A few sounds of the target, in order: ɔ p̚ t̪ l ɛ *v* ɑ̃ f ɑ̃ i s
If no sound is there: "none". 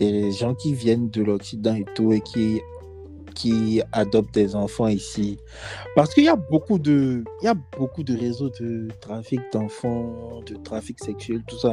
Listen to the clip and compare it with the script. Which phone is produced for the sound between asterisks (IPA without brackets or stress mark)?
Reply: z